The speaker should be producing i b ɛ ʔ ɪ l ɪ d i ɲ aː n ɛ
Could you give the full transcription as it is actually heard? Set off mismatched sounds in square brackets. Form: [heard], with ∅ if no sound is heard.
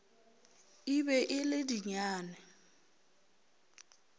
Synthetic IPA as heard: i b ɛ ʔ ɪ l ɪ d i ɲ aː n ɛ